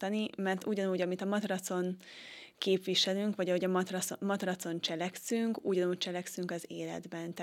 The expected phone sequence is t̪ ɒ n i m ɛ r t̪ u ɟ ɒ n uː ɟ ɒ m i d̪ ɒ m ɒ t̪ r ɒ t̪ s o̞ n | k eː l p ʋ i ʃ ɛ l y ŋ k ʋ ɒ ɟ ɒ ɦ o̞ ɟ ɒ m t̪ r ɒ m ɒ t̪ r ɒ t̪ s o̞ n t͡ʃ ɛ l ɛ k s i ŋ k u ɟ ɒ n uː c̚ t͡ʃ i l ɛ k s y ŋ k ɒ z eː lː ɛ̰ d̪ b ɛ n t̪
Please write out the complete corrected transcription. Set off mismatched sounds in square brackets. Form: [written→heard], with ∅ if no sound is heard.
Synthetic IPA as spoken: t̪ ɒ n i m ɛ r t̪ u ɟ ɒ n uː ɟ ɒ m i [d̪→t̪] ɒ m ɒ t̪ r ɒ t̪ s o̞ n | k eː [l→∅] p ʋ i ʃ ɛ l y ŋ k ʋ ɒ ɟ ɒ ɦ o̞ ɟ ɒ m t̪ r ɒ m ɒ t̪ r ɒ t̪ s o̞ n t͡ʃ ɛ l ɛ k s [i→y] ŋ k u ɟ ɒ n uː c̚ t͡ʃ [i→ɛ] l ɛ k s y ŋ k ɒ z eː [lː→l] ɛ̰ d̪ b ɛ n t̪